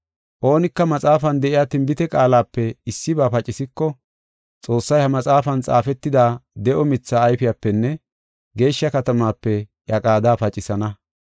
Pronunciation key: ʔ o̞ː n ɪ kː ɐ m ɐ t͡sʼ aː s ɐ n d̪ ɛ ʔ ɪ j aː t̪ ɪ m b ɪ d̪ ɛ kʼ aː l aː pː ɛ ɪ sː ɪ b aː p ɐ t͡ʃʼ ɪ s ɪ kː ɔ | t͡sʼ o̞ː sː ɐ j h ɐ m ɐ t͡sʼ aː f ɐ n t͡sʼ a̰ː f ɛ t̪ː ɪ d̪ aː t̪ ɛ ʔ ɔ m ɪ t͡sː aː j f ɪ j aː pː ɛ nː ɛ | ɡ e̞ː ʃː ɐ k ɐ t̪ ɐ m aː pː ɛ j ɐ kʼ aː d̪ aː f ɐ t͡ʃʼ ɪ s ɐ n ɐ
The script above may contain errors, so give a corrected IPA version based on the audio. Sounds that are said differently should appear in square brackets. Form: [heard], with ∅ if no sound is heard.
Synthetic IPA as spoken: ʔ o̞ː n ɪ kː ɐ m ɐ t͡sʼ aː [f] ɐ n d̪ ɛ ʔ ɪ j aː t̪ ɪ m b ɪ [t̪] ɛ kʼ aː l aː pː ɛ ɪ sː ɪ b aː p ɐ t͡ʃʼ ɪ s ɪ kː ɔ | t͡sʼ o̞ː sː ɐ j h ɐ m ɐ t͡sʼ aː f ɐ n t͡sʼ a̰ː f ɛ t̪ː ɪ d̪ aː [d̪] ɛ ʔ ɔ m ɪ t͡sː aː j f ɪ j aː pː ɛ nː ɛ | ɡ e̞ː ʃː ɐ k ɐ t̪ ɐ m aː pː ɛ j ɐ kʼ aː d̪ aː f ɐ t͡ʃʼ ɪ s ɐ n ɐ